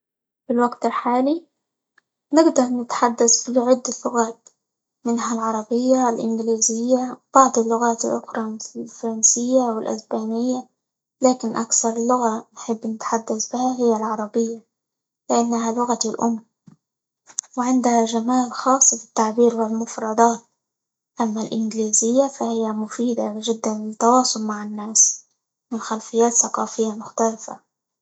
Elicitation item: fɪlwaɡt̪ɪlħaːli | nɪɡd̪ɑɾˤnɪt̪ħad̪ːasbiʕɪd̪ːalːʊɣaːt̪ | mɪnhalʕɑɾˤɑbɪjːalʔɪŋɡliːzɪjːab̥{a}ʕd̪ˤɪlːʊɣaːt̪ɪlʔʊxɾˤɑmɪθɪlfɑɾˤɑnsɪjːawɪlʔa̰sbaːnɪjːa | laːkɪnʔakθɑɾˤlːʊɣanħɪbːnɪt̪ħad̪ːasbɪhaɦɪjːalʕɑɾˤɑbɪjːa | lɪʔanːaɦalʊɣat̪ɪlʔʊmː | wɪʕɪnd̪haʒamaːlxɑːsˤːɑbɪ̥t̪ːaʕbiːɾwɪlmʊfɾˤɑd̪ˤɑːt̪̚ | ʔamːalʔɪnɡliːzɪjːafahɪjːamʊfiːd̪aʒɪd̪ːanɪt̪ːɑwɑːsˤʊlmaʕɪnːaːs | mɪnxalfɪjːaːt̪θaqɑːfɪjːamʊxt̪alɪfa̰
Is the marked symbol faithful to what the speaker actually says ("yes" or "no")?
no